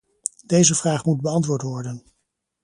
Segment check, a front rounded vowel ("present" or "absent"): absent